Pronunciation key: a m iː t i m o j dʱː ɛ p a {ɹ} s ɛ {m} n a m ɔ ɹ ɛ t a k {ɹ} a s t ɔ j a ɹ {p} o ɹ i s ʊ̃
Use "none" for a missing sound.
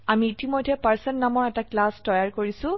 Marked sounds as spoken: ɹ, n, l, k

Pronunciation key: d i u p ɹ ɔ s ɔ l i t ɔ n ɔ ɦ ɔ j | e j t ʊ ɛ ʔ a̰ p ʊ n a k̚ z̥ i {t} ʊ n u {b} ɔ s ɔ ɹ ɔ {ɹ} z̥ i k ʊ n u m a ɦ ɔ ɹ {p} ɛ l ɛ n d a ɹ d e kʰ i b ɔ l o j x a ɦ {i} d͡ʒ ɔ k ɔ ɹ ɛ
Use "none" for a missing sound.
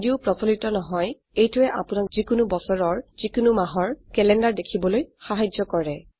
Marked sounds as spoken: k, b, ɹ, k, a

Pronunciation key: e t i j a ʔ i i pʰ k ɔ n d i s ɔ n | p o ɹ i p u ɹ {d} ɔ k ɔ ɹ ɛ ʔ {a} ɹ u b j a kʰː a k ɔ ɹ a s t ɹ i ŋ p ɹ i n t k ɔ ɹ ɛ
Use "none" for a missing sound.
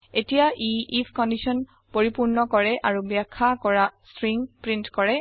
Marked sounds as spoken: n, a

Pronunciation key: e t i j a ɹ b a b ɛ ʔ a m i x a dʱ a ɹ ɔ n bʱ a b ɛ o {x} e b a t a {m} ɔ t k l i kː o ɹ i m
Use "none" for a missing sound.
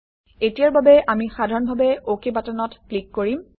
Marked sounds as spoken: k, n

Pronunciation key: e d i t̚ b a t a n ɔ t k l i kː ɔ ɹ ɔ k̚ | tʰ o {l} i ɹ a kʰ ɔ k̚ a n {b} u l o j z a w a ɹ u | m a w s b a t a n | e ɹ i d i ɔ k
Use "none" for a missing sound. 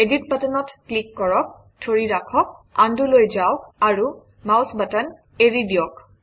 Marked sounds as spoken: ɹ, d

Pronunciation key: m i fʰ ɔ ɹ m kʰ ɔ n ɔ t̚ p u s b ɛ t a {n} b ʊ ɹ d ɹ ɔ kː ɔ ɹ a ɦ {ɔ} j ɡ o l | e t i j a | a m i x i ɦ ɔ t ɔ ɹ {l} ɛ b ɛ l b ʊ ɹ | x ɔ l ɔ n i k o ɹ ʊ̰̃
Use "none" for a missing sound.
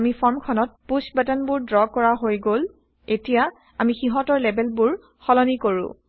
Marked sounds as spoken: n, o, l

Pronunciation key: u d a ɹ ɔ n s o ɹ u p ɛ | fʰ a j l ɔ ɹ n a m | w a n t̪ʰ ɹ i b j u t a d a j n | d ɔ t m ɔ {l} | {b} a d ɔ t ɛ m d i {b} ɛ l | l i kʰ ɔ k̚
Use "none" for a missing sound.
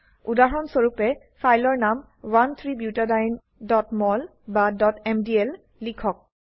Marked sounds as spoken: l, b, none

